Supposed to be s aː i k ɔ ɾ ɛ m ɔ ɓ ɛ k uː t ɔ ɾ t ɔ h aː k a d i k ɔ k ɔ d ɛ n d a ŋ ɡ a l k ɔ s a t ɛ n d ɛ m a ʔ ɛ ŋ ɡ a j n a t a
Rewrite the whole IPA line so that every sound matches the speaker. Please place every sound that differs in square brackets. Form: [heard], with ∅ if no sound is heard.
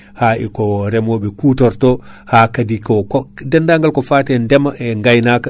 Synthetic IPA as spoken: [h] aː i k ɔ ɾ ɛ m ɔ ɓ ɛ k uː t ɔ ɾ t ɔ h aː k a d i k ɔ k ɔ d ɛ n d a ŋ ɡ a l k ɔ [f] a t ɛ n d ɛ m a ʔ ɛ ŋ ɡ a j n a [k] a